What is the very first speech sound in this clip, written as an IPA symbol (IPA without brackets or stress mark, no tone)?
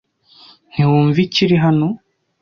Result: n̥